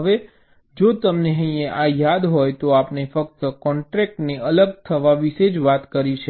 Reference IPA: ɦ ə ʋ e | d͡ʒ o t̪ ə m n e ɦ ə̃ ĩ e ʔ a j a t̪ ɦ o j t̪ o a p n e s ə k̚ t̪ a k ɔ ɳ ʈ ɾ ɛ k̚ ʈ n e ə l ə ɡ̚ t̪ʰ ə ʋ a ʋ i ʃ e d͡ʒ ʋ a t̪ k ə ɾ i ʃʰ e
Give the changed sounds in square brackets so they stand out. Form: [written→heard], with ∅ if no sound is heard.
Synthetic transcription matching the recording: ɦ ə ʋ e | d͡ʒ o t̪ ə m n e ɦ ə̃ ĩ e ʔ a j a [t̪→d̪] ɦ o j t̪ o a p n e [s→f] ə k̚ t̪ [a→ə] k ɔ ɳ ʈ ɾ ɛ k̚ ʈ n e ə l ə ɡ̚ t̪ʰ ə ʋ a ʋ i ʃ e d͡ʒ ʋ a t̪ k ə ɾ i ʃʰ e